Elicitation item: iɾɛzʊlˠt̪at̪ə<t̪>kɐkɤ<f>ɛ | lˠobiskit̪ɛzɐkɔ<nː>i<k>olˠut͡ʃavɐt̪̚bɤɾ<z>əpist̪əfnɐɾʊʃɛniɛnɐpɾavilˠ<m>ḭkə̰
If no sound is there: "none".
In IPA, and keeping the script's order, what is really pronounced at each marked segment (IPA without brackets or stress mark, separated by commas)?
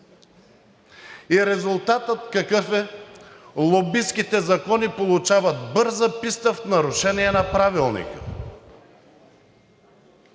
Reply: t̪, f, n, p, z, n